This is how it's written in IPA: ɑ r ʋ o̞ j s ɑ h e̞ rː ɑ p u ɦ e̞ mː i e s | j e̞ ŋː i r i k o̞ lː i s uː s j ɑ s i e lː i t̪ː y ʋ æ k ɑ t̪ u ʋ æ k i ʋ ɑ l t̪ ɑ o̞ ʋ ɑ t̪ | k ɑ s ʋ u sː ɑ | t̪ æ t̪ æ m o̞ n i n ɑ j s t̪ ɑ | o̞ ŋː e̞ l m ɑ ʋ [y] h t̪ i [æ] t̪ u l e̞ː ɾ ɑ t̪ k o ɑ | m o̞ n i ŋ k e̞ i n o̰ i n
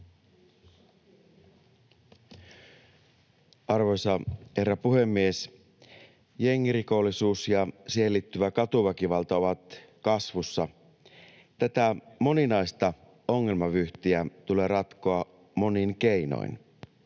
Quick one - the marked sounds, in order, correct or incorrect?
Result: correct, correct

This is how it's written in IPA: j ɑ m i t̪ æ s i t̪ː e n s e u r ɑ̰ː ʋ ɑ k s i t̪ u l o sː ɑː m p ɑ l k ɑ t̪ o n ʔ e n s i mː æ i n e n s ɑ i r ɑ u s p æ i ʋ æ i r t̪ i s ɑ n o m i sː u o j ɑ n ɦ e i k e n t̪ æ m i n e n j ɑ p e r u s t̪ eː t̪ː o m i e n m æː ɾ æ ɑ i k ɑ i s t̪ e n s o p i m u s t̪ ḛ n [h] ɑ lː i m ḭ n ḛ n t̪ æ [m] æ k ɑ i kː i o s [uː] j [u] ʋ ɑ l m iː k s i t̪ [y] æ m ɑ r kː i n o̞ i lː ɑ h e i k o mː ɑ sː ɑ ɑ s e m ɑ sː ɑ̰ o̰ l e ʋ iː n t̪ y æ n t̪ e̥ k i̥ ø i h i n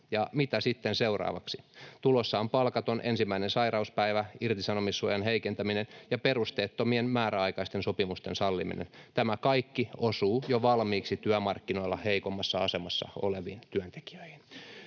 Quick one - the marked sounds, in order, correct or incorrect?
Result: incorrect, correct, correct, incorrect, correct

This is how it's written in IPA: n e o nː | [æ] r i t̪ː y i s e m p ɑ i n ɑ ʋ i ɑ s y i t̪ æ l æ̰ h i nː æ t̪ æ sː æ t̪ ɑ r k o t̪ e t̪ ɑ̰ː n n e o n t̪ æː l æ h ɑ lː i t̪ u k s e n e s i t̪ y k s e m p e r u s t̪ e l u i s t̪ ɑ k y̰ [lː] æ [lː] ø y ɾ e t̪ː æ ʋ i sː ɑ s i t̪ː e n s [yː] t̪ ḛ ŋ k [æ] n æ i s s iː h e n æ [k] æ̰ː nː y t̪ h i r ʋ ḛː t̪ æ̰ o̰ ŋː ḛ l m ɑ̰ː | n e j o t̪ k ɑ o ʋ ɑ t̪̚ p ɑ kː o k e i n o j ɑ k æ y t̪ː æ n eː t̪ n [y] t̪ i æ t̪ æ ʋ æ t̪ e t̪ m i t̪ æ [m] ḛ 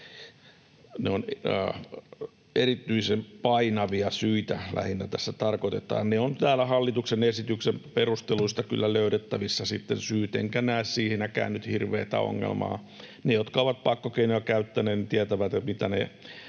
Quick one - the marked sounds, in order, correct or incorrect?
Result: incorrect, correct, incorrect, correct, correct, correct, incorrect, incorrect

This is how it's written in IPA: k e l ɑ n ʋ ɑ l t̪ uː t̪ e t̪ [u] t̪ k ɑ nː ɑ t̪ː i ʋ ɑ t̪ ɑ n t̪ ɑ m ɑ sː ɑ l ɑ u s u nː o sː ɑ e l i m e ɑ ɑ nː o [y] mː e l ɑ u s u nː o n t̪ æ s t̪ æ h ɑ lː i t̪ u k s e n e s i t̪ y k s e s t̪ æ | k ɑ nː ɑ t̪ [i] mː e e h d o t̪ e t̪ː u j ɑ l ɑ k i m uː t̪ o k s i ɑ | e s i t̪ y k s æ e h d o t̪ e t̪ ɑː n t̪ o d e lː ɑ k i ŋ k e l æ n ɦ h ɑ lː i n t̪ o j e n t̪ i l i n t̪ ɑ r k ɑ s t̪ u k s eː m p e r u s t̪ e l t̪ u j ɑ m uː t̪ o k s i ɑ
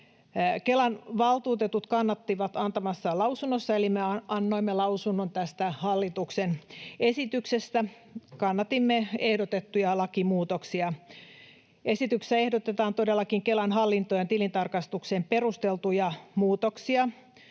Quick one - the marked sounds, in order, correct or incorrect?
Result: correct, incorrect, correct

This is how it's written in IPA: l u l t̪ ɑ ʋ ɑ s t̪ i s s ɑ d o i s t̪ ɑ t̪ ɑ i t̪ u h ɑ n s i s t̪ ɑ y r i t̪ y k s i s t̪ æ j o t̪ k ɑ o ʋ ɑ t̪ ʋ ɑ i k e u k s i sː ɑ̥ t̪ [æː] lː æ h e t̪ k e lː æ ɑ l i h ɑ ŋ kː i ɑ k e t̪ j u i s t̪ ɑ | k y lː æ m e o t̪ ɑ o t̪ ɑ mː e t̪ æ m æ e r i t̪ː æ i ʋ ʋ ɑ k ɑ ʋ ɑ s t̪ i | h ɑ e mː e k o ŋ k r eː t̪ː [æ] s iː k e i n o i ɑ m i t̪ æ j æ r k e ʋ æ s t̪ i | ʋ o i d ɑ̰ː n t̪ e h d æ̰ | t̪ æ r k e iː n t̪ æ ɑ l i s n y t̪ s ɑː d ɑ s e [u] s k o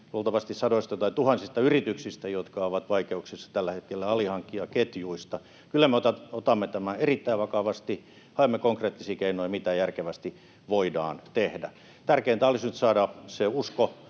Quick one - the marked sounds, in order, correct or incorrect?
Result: incorrect, incorrect, correct

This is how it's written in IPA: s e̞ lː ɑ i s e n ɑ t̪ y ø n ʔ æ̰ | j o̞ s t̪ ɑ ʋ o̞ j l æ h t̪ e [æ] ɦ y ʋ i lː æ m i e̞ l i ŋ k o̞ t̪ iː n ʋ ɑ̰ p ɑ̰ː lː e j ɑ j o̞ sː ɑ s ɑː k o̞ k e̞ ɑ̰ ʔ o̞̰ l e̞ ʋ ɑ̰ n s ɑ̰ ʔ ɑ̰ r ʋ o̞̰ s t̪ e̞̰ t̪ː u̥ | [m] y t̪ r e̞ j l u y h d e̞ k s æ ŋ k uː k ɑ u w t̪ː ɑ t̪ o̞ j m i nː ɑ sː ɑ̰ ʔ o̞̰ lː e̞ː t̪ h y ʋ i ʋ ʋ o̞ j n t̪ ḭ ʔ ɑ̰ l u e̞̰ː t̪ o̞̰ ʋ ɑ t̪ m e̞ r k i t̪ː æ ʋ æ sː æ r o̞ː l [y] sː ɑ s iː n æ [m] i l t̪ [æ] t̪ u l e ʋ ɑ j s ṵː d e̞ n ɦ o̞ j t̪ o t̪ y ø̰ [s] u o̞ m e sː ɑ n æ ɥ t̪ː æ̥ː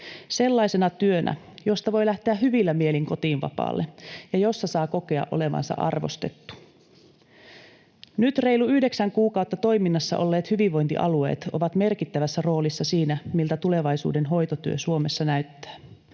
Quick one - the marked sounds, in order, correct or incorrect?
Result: correct, incorrect, incorrect, correct, correct, correct

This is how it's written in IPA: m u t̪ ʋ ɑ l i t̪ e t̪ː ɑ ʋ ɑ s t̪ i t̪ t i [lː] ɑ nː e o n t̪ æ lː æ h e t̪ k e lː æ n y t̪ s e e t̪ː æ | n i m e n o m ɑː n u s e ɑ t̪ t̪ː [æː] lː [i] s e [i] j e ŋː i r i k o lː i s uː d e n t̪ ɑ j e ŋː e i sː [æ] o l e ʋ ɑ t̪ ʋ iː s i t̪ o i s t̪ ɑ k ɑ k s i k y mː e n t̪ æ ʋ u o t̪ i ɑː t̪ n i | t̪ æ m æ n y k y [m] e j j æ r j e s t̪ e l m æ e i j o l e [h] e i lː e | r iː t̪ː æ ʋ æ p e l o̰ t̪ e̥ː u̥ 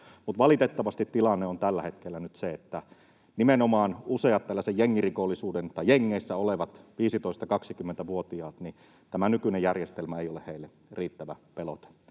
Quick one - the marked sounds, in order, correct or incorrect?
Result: incorrect, incorrect, incorrect, incorrect, correct, incorrect, correct

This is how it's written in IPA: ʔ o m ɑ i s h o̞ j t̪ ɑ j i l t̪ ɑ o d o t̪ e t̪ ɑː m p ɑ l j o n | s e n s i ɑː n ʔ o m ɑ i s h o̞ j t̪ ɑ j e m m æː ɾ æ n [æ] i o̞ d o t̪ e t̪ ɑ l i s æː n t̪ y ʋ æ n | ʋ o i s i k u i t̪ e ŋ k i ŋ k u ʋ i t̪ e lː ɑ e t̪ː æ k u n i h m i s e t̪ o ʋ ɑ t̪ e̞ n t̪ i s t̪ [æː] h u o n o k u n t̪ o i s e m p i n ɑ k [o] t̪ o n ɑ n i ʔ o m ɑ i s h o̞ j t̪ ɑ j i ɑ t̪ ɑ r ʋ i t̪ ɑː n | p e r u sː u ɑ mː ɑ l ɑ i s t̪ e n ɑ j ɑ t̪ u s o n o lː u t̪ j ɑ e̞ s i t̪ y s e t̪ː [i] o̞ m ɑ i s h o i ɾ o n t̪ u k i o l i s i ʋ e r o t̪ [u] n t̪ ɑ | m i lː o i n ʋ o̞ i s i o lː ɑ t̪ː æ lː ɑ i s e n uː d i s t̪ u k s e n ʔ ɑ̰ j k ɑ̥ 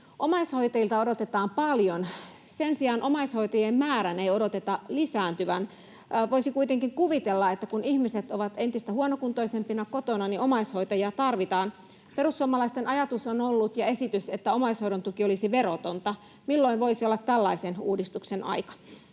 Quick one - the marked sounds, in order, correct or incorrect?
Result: incorrect, incorrect, correct, incorrect, incorrect

